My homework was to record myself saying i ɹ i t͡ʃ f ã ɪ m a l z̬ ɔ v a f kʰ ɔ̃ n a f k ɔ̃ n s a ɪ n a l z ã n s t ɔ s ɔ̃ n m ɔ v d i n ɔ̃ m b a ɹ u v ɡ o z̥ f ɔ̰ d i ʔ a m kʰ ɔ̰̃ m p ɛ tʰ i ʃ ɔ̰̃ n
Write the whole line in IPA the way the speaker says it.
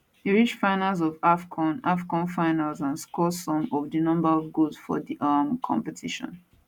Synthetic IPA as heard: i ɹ i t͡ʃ f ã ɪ n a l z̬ ɔ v a f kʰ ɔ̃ n a f k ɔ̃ n f a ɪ n a l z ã n s k ɔ s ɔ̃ m ɔ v d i n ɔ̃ m b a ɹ ɔ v ɡ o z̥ f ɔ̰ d i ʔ a m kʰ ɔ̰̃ m p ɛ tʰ i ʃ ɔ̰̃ n